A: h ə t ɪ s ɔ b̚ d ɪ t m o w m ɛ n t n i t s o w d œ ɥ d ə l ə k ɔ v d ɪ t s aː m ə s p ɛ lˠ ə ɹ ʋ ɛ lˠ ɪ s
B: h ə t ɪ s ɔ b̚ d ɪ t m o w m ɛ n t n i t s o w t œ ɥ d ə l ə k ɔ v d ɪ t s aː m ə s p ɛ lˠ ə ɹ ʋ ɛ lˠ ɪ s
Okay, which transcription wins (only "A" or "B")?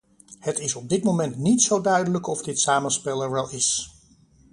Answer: A